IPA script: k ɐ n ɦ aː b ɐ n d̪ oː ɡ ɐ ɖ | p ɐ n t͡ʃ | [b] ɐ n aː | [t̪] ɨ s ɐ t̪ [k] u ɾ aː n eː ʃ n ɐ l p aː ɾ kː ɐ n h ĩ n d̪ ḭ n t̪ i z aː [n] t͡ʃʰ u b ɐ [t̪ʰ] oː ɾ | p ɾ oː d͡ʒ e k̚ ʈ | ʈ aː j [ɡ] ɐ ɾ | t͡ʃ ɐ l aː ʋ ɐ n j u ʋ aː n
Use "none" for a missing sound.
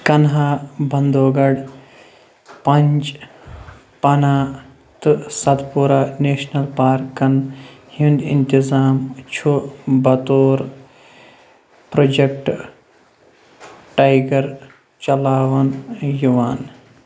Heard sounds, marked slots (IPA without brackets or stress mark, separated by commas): p, t̪, p, m, t̪, ɡ